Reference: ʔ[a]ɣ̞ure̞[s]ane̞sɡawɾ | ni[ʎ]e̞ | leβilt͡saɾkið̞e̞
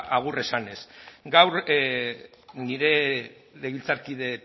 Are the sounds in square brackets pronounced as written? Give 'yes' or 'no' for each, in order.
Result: yes, yes, no

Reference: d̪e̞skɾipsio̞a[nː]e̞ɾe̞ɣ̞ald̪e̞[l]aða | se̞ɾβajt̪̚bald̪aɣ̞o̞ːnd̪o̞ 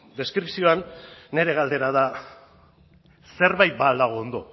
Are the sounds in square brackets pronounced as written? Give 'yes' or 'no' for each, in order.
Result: yes, no

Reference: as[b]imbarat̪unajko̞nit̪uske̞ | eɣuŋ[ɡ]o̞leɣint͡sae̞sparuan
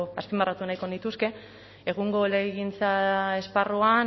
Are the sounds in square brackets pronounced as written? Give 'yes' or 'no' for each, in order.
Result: no, yes

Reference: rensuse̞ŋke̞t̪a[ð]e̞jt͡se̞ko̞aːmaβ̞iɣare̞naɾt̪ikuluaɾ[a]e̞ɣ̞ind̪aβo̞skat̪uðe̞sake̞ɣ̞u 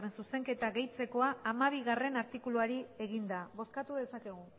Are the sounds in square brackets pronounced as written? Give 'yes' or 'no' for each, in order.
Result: no, no

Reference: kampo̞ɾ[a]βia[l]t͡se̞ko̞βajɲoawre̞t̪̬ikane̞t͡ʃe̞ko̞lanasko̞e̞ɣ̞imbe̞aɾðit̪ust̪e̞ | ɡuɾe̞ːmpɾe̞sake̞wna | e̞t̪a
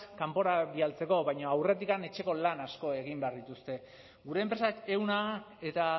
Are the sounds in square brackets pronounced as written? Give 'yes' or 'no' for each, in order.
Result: yes, yes

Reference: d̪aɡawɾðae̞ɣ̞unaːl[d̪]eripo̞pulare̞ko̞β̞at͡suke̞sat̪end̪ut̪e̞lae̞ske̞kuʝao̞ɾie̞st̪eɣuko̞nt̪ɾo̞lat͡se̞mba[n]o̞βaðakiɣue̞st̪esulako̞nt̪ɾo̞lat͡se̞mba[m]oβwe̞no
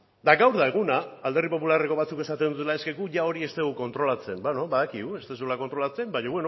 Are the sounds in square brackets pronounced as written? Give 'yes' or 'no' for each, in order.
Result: yes, yes, no

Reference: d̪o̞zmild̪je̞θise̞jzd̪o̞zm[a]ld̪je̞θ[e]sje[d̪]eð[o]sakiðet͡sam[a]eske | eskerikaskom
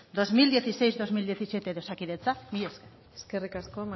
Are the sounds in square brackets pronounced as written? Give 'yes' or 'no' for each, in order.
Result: no, no, no, yes, no

